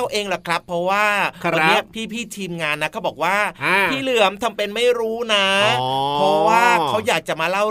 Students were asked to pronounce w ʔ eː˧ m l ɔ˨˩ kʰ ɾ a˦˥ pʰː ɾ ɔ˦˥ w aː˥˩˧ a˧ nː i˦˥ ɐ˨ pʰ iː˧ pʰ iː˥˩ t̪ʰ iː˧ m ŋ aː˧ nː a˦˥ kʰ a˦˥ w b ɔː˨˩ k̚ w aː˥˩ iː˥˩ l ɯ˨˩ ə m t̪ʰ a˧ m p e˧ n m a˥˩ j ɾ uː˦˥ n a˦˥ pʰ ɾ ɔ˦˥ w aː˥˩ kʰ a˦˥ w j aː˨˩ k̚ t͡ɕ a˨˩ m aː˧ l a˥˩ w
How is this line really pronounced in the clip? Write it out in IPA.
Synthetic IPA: w ʔ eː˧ ŋ l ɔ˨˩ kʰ ɾ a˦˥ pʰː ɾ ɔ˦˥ w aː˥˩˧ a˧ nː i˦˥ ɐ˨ pʰ iː˥˩ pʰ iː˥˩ t̪ʰ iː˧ m ŋ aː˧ nː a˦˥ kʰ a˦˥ w b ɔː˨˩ k̚ w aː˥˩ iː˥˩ l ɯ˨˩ ə m t̪ʰ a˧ m p e˧ n m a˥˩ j ɾ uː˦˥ n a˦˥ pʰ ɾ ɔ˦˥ w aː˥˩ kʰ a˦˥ w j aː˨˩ k̚ t͡ɕ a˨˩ m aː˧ l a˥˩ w